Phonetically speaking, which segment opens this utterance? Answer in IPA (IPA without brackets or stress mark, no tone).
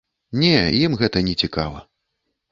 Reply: nʲ